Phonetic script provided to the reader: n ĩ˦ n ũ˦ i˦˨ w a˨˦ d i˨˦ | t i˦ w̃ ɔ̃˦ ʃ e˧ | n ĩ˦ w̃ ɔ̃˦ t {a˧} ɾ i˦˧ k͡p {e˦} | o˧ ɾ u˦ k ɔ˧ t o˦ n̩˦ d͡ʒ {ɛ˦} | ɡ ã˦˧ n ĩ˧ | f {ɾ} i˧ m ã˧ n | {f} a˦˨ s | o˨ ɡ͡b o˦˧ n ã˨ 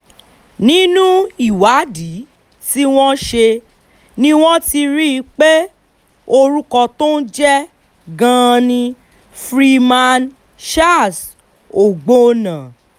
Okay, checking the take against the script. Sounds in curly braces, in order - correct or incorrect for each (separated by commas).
incorrect, correct, correct, correct, incorrect